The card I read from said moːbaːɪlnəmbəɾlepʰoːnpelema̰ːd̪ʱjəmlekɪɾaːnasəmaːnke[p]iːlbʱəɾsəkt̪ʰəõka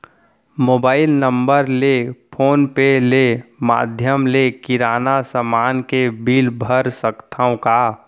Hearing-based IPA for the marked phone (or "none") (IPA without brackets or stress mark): b